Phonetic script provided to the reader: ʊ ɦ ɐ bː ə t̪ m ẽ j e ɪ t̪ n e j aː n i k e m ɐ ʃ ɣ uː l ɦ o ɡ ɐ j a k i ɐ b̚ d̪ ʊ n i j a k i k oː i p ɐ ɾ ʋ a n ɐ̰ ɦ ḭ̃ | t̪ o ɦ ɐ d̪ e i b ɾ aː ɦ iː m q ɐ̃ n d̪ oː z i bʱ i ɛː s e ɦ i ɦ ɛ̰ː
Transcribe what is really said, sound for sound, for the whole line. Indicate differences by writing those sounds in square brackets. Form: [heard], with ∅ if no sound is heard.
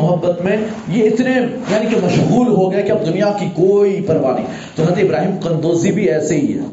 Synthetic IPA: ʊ ɦ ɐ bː ə t̪ m ẽ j e ɪ t̪ n e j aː n i k e m ɐ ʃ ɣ uː l ɦ o ɡ ɐ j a k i ɐ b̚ d̪ ʊ n i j a k i k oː i p ɐ ɾ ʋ a n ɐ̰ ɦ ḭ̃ | t̪ o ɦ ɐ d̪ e [ɪ] b ɾ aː ɦ iː m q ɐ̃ n d̪ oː z i bʱ i ɛː s e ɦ i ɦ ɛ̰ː